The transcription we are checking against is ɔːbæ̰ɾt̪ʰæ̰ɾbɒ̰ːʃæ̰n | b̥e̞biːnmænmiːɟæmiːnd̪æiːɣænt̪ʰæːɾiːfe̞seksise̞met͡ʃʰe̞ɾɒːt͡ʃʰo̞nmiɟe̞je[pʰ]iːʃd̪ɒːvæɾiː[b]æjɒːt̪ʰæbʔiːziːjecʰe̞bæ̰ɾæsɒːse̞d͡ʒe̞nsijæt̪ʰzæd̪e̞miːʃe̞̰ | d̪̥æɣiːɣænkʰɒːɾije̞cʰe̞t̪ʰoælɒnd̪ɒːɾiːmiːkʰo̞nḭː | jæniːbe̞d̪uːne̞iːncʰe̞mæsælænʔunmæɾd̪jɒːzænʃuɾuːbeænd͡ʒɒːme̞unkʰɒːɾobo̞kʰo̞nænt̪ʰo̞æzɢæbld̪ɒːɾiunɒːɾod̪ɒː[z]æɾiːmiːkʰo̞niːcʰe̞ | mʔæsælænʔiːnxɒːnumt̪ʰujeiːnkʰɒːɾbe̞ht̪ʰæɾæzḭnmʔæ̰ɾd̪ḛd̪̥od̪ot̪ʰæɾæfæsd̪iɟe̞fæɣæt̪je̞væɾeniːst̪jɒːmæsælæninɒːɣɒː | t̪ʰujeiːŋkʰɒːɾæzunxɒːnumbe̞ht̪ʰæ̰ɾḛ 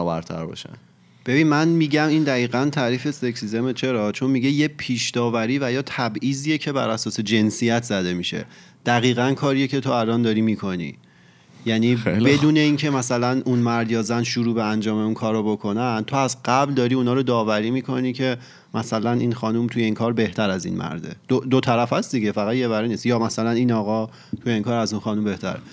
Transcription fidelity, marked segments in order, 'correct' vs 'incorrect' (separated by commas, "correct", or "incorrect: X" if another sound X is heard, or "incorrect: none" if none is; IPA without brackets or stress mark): correct, incorrect: v, incorrect: v